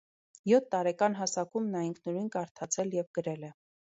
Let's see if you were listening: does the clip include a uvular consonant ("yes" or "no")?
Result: no